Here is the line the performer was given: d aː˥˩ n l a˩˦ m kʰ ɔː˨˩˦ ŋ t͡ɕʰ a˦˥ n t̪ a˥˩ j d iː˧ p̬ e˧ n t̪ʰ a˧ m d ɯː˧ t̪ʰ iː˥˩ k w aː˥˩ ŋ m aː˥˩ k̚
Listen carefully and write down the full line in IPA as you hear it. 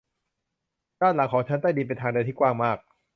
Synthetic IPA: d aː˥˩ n l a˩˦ ŋ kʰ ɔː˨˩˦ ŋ t͡ɕʰ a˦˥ n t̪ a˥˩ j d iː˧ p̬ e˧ n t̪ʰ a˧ ŋ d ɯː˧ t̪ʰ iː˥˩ k w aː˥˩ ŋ m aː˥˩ k̚